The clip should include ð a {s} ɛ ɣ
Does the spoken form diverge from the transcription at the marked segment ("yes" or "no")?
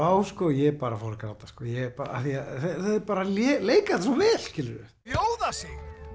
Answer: no